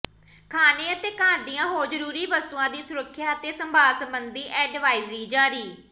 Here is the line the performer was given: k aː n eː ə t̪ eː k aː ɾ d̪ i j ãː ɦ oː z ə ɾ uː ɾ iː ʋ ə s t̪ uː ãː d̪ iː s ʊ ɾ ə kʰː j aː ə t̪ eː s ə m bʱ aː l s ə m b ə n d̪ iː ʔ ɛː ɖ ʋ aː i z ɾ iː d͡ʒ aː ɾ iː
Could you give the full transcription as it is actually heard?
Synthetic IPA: kʰ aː n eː ə t̪ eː k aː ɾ d̪ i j ãː ɦ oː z ə ɾ uː ɾ iː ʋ ə s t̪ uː ãː d̪ iː s ʊ ɾ ə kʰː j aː ə t̪ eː s ə m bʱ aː l s ə m b ə n d̪ iː ʔ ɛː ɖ ʋ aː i z ɾ iː d͡ʒ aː ɾ iː

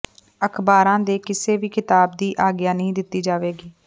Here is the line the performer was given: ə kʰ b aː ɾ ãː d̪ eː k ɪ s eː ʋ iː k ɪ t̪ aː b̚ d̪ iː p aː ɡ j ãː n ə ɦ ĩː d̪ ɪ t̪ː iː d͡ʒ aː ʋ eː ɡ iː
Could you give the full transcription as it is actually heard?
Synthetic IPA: ə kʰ b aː ɾ ãː d̪ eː k ɪ s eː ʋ iː k ɪ t̪ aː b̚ d̪ iː ʔ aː ɡ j aː n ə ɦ ĩː d̪ ɪ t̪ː iː d͡ʒ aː ʋ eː ɡ iː

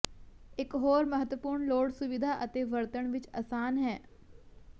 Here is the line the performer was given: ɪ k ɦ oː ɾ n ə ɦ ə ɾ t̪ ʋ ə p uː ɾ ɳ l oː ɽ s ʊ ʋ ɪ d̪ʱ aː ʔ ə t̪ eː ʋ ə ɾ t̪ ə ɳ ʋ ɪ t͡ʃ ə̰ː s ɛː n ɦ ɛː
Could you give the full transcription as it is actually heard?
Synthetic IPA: ɪ k ɦ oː ɾ m ə ɦ ə t̪ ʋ ə p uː ɾ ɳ l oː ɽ s ʊ ʋ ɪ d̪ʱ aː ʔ ə t̪ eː ʋ ə ɾ t̪ ə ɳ ʋ ɪ t͡ʃ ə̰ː s aː n ɦ ɛː

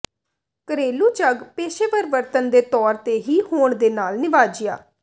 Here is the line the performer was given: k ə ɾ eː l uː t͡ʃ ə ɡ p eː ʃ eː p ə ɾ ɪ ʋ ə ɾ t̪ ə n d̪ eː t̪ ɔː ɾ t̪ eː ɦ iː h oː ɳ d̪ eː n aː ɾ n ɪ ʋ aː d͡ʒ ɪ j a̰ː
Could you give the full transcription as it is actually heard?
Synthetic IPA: k ə ɾ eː l uː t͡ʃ ə ɡ p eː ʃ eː p ə ɾ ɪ ʋ ə ɾ t̪ ə n d̪ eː t̪ ɔː ɾ t̪ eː ɦ iː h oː ɳ d̪ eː n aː l n ɪ ʋ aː d͡ʒ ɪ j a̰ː

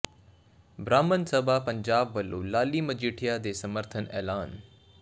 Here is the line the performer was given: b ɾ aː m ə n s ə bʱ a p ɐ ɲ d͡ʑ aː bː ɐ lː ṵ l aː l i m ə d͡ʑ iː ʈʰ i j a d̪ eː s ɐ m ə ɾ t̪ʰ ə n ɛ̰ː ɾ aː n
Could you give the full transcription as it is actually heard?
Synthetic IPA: b ɾ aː m ə n s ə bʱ a p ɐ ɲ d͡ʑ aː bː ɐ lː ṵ l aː l i m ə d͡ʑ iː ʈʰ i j a d̪ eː s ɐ m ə ɾ t̪ʰ ə n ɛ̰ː l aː n

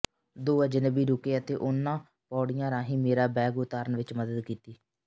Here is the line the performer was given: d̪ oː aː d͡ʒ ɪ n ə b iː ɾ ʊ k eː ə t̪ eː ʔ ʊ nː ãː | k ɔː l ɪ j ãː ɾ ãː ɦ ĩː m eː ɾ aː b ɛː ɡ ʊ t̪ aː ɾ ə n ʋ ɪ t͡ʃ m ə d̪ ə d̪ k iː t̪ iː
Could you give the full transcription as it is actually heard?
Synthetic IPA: d̪ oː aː d͡ʒ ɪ n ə b iː ɾ ʊ k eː ə t̪ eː ʔ ʊ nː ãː | p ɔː ɽ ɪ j ãː ɾ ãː ɦ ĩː m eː ɾ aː b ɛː ɡ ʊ t̪ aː ɾ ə n ʋ ɪ t͡ʃ m ə d̪ ə d̪ k iː t̪ iː

